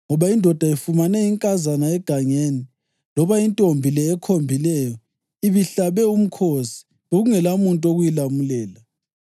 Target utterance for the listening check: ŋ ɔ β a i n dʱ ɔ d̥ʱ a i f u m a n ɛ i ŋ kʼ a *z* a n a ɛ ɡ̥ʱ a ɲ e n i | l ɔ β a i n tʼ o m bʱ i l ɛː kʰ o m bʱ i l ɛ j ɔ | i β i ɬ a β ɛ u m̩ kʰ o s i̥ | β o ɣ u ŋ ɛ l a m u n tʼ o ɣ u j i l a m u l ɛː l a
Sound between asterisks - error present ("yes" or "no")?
no